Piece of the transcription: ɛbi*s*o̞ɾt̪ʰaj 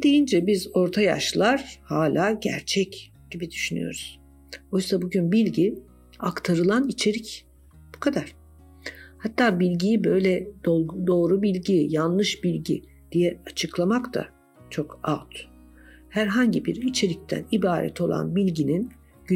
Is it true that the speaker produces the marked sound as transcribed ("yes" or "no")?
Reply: no